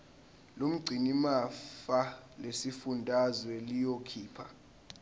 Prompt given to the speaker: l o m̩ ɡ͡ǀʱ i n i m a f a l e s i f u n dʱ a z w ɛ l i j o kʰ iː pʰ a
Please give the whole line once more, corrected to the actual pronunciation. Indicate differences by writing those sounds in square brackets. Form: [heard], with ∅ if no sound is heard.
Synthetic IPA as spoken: l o m̩ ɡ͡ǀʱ i n i m a f a l e s i f u n dʱ a z w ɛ l i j o kʰ iː pʰ a